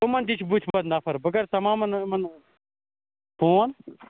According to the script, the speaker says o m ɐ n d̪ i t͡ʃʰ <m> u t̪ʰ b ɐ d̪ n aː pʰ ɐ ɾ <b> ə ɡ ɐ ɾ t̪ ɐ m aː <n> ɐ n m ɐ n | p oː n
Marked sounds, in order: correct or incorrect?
incorrect, correct, incorrect

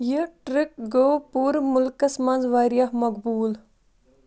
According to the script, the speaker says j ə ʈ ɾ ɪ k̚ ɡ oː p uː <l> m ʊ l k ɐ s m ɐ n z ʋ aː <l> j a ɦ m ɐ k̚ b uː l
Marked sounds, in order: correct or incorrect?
incorrect, incorrect

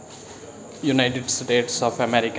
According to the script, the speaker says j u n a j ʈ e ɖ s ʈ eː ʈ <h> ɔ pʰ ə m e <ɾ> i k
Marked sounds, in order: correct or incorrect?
incorrect, correct

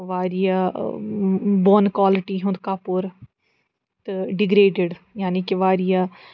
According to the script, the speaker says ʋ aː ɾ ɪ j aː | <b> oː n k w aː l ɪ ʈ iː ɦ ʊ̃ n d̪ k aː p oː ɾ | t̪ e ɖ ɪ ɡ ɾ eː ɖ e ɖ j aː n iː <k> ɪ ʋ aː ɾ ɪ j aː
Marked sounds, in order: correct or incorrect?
correct, correct

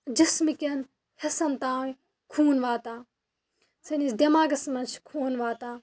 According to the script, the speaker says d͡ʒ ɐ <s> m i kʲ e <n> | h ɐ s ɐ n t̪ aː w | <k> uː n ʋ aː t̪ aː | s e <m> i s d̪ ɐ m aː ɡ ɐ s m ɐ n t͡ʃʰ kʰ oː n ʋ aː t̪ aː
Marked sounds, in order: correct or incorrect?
correct, correct, incorrect, incorrect

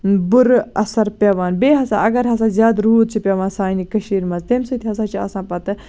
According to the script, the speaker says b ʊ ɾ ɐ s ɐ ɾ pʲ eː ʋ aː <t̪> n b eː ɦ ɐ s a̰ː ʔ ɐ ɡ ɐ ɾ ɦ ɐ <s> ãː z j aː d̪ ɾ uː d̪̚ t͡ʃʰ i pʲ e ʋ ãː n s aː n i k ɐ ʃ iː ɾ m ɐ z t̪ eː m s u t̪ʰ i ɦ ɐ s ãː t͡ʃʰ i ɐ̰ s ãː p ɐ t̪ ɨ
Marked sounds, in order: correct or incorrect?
incorrect, correct

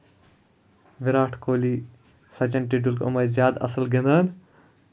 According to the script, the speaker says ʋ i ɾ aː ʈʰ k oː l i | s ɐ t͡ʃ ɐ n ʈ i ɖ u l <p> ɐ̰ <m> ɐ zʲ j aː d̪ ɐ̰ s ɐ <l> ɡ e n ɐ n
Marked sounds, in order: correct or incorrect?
incorrect, correct, correct

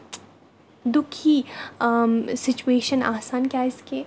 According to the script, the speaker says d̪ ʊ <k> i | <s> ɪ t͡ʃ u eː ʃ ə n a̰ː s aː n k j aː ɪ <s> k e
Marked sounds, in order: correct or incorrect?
incorrect, correct, correct

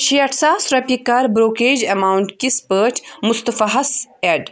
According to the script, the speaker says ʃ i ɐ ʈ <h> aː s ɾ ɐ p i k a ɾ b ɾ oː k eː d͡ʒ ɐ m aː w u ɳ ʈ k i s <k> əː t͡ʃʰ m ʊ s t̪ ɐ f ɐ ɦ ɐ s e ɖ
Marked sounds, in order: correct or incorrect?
incorrect, incorrect

